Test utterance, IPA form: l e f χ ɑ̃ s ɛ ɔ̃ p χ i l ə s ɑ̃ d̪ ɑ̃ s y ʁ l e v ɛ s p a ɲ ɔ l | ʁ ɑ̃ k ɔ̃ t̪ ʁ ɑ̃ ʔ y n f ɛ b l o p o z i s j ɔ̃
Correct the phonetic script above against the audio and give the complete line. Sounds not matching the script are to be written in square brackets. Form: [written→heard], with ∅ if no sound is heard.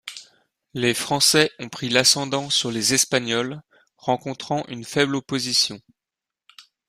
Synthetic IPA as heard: l e f χ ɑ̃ s ɛ ɔ̃ p χ i l [ə→a] s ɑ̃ d̪ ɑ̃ s y ʁ l e [v→z] ɛ s p a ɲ ɔ l | ʁ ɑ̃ k ɔ̃ t̪ [ʁ→χ] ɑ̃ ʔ y n f ɛ b l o p o z i s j ɔ̃